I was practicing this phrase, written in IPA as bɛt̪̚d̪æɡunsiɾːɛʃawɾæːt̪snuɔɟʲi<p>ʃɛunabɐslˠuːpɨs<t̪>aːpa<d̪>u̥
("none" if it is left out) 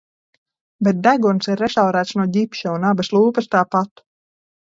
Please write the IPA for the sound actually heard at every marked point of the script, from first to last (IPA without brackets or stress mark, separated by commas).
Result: p, t̪, t̪